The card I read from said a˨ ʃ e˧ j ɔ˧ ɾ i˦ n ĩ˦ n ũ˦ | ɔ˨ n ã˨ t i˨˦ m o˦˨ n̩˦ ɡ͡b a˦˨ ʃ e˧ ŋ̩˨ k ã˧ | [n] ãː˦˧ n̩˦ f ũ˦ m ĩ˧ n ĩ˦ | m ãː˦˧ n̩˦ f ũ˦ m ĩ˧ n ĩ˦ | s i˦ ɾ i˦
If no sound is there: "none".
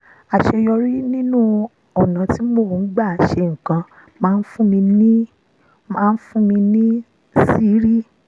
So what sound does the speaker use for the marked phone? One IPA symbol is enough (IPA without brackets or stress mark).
m